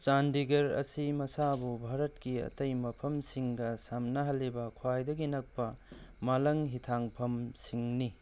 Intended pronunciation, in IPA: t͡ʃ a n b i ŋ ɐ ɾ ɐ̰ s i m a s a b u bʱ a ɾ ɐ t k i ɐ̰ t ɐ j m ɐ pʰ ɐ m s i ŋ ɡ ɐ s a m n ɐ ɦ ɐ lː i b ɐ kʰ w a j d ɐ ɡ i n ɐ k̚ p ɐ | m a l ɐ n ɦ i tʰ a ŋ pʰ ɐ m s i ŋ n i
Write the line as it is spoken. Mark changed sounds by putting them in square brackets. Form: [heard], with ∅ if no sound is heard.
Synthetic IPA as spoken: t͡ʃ a n [d] i [ɡ] ɐ ɾ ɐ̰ s i m [ɐ] s a b u bʱ a ɾ ɐ t k i ɐ̰ t ɐ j m ɐ pʰ ɐ m s i ŋ ɡ ɐ s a m n ɐ ɦ ɐ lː i b ɐ kʰ w a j d ɐ ɡ i n ɐ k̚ p ɐ | m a l ɐ [ŋ] ɦ i tʰ a ŋ pʰ ɐ m s i ŋ n i

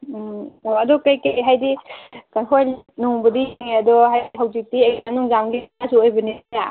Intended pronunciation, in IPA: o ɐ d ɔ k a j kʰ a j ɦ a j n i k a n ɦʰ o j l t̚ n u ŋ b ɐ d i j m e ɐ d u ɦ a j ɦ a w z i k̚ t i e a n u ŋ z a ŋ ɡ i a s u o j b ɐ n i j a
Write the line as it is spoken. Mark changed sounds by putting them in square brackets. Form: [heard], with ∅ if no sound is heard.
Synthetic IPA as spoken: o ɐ d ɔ k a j [k] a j ɦ a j [d] i k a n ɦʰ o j l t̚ n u ŋ b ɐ d i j [ŋ] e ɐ d [ɔ] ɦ a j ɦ a w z i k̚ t i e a n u ŋ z a ŋ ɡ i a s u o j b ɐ n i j a

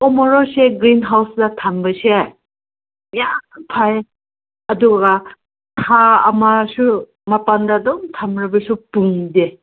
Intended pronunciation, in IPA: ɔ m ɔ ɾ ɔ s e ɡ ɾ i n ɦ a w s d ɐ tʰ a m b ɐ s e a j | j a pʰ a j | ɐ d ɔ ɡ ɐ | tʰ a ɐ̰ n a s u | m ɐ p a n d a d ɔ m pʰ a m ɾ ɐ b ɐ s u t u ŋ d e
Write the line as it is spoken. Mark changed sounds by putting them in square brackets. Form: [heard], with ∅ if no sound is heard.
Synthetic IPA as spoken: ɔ m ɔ ɾ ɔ s e ɡ ɾ i n ɦ a w s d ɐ tʰ a m b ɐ s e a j | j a pʰ a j | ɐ d [u] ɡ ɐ | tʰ a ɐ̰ [m] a s u | m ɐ p a n d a d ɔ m [tʰ] a m ɾ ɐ b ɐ s u [p] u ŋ d e

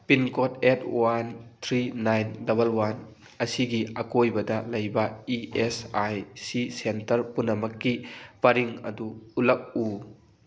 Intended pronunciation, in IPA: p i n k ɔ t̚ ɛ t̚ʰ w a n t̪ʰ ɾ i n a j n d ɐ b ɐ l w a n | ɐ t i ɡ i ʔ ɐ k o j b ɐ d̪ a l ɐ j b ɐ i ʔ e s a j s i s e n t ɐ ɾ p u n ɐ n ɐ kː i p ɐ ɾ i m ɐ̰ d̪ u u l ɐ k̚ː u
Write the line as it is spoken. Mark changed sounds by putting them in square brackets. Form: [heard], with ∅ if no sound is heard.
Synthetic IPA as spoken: p i n k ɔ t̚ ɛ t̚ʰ w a n t̪ʰ ɾ i n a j n d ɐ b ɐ l w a n | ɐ [s] i ɡ i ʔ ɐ k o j b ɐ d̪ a l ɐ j b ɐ i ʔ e s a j s i s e n t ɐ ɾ p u n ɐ [m] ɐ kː i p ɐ ɾ i [ŋ] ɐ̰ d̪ u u l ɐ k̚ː u

